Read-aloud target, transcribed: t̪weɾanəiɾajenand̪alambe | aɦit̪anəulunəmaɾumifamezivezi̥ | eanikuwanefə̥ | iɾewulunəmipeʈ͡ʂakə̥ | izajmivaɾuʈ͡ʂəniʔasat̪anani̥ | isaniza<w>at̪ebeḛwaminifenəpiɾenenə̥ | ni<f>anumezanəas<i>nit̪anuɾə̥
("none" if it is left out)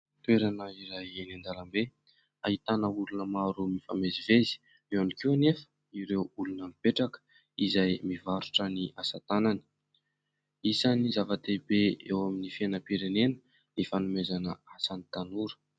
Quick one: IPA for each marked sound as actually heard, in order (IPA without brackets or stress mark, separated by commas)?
v, f, a